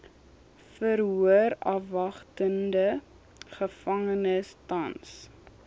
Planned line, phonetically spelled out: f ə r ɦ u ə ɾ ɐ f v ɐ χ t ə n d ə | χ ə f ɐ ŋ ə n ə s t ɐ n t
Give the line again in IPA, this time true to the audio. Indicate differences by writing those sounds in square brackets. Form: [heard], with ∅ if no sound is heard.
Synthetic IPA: f ə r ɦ u ə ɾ ɐ f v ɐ χ t ə n d ə | χ ə f ɐ ŋ ə n ə s t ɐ n [s]

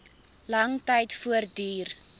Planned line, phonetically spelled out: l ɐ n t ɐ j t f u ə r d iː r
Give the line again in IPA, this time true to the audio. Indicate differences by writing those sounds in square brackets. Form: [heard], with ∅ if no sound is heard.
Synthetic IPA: l ɐ [ŋ] t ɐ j t f u ə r d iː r

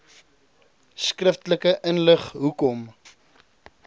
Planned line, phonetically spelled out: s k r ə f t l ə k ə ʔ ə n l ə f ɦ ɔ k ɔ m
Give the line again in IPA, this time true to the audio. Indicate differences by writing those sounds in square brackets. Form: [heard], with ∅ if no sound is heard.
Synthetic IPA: s k r ə f t l ə k ə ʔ ə n l ə [χ] ɦ [u] k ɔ m

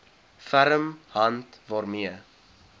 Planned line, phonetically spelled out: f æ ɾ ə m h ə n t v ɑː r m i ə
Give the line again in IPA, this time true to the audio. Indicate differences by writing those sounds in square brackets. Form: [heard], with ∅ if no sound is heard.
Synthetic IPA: f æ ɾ ə m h [ɐ] n t v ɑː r m i ə

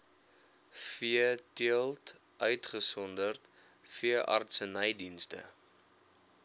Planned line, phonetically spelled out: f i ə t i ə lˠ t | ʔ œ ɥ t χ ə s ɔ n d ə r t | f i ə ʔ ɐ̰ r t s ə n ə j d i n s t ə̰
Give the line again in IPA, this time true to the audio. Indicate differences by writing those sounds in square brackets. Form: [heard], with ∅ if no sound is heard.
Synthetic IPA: f i ə t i ə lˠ t | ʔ œ ɥ t χ ə s ɔ n d ə r t | f i ə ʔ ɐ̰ r t s ə n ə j d i n s t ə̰

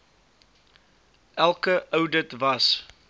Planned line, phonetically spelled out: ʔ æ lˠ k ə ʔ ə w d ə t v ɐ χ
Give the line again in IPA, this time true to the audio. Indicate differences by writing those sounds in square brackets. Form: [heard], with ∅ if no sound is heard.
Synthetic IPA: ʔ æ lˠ k ə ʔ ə w d ə t v ɐ [s]

